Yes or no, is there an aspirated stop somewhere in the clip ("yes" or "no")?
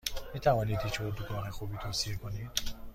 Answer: yes